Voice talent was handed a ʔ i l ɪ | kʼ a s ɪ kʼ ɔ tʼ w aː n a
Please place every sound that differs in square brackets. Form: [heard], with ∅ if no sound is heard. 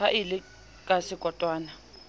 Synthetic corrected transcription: a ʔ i l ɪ | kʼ a s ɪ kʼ ɔ tʼ w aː n a